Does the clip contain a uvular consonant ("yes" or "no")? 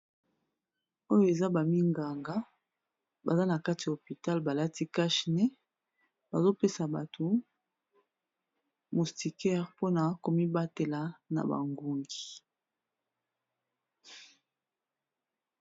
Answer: yes